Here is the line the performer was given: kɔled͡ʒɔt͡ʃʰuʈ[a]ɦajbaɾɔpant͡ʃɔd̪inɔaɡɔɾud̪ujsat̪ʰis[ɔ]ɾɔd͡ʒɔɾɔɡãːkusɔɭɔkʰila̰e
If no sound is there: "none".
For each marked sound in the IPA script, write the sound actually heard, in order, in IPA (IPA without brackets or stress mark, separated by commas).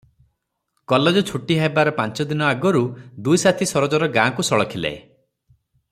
i, ɔ